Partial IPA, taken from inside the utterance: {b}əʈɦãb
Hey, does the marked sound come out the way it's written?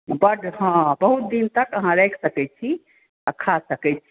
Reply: yes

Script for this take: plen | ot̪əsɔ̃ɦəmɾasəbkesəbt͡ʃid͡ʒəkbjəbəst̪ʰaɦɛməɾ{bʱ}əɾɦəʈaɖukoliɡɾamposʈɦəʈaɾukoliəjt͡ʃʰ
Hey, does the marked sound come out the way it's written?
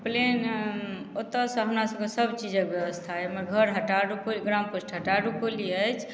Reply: no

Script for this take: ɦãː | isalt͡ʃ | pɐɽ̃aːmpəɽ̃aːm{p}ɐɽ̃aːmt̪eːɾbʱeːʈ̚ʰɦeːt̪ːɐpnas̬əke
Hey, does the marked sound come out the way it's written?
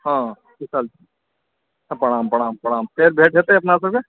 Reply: yes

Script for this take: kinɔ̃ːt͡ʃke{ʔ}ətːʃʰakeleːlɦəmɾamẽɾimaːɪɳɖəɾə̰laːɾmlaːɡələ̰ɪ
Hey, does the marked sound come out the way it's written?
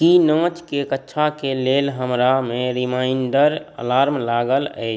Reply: no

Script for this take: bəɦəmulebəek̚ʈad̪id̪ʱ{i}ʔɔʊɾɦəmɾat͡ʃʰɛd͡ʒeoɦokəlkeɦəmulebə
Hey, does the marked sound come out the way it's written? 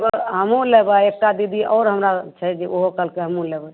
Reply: yes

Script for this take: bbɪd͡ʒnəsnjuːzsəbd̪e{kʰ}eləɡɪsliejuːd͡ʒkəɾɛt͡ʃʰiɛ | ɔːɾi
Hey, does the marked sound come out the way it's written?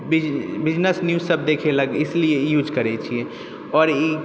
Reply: yes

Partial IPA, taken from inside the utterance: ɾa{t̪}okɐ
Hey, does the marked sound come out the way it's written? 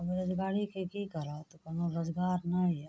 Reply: yes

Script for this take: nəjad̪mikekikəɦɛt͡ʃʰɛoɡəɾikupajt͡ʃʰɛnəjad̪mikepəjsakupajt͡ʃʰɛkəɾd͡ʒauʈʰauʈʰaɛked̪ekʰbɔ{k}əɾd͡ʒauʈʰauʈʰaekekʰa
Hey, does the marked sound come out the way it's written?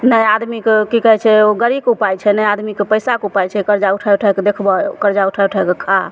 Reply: yes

